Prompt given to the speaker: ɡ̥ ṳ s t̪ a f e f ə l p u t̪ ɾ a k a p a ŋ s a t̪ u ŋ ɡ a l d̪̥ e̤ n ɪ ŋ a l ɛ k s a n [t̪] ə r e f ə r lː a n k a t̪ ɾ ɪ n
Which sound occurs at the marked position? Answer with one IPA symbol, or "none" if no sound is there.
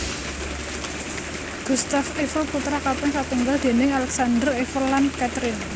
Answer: d̪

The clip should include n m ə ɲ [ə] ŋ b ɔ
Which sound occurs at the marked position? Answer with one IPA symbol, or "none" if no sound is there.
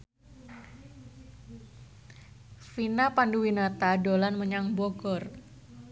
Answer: a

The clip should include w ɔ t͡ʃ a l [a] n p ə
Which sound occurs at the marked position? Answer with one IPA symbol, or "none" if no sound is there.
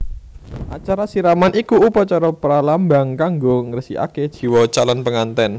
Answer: a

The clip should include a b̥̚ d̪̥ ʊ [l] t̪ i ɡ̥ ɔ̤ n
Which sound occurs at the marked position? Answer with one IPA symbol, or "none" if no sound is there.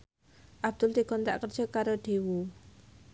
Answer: l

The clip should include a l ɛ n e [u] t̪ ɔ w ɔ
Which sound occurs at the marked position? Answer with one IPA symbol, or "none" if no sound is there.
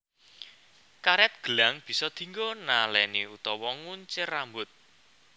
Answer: u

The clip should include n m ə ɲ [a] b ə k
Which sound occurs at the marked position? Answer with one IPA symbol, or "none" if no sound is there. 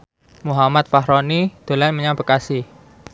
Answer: a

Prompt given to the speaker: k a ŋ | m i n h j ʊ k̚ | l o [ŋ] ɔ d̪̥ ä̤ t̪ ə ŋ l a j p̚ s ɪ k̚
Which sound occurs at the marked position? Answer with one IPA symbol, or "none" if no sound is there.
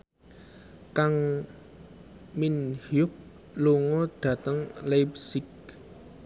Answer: ŋ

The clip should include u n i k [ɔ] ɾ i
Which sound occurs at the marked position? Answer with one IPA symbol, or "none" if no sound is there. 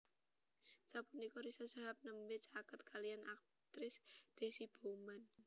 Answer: ɔ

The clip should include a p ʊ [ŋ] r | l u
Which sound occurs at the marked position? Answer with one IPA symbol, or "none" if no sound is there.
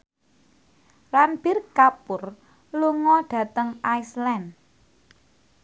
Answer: none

